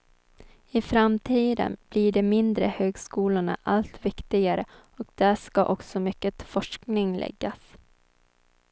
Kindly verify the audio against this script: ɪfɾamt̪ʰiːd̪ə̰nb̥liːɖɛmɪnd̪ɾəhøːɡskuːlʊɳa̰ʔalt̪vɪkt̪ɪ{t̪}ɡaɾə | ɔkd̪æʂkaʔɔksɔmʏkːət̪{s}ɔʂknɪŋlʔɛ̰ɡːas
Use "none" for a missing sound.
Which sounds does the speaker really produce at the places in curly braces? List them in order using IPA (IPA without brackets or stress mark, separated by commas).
none, f